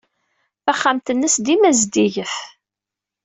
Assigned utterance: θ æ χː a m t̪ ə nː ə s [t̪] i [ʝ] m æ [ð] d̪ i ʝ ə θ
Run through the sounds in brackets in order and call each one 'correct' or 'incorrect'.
incorrect: d̪, incorrect: none, incorrect: z

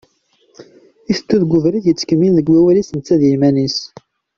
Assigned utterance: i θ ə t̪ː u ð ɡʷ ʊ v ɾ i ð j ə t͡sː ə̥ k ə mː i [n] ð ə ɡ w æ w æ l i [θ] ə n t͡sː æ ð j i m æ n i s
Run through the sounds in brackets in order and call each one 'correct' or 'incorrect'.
correct, incorrect: s

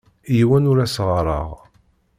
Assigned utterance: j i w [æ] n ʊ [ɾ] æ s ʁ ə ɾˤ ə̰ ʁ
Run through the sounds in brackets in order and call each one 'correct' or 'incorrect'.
correct, correct

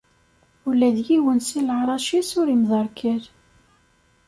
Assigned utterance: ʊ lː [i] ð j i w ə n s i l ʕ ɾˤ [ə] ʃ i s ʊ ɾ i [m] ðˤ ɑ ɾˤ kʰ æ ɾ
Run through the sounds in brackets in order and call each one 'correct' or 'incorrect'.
incorrect: æ, incorrect: ɑ, correct

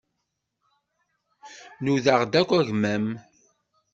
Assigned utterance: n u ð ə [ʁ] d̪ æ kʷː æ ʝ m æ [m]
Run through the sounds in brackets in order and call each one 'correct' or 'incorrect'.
correct, correct

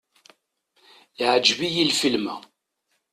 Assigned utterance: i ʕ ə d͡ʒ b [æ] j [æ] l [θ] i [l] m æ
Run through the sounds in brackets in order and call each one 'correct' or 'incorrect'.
incorrect: i, incorrect: i, incorrect: f, correct

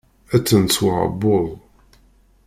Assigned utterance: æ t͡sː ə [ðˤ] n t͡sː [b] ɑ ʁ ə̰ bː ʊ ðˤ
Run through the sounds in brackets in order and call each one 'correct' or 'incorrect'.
incorrect: none, incorrect: w

